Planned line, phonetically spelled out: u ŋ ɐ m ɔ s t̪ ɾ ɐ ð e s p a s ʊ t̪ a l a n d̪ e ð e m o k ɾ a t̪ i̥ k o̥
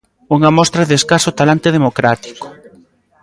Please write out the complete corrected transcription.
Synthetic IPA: u ŋ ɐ m ɔ s t̪ ɾ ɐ ð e s k a s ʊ t̪ a l a n t̪ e ð e m o k ɾ a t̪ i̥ k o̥